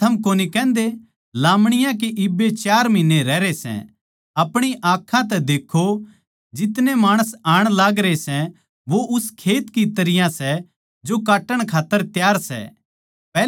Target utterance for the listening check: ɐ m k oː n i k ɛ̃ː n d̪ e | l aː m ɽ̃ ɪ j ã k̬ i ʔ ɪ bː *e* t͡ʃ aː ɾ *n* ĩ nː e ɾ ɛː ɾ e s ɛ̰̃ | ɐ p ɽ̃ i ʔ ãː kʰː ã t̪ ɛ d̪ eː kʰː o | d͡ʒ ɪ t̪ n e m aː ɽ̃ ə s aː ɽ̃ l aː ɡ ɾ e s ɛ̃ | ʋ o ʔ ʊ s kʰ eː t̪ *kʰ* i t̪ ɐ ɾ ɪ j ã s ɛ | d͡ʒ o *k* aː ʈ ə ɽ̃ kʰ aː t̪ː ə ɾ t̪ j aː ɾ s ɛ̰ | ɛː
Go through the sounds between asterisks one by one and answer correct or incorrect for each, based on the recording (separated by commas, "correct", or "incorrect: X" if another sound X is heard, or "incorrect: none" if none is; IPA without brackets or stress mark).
correct, incorrect: m, incorrect: k, correct